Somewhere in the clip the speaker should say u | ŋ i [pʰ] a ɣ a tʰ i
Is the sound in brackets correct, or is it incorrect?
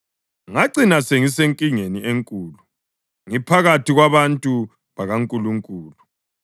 correct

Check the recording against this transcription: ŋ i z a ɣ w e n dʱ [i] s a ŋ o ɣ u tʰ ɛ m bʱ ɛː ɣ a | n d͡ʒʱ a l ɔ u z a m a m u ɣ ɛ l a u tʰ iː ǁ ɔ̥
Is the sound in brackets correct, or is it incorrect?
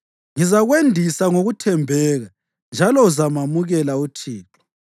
correct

